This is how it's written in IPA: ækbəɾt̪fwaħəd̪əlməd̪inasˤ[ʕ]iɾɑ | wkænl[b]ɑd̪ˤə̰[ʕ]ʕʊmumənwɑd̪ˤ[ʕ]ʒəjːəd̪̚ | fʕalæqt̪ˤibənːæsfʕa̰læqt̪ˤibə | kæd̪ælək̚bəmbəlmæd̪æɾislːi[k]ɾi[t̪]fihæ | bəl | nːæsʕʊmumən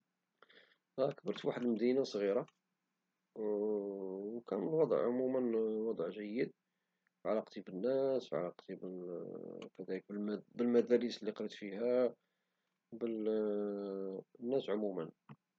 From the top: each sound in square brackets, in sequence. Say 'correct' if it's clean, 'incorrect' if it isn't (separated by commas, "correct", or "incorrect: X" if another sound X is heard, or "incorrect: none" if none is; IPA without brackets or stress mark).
incorrect: ɣ, incorrect: w, correct, correct, incorrect: q, correct